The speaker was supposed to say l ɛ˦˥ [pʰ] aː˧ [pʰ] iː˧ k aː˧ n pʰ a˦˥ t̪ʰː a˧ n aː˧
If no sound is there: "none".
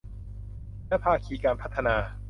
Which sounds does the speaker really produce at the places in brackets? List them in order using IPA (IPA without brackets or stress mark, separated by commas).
pʰ, kʰ